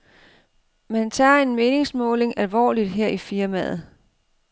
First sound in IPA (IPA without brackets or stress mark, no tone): m